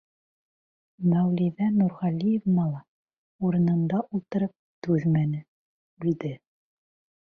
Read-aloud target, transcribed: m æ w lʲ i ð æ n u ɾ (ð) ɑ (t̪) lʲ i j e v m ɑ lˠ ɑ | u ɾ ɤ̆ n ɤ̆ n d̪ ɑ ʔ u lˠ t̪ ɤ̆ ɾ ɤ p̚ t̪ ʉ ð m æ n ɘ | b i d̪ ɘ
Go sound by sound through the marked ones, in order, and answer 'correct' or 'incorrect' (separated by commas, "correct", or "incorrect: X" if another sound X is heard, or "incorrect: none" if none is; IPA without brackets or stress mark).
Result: incorrect: ʁ, incorrect: none